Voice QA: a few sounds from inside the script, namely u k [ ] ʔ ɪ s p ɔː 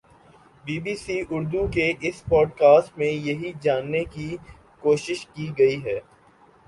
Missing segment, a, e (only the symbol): e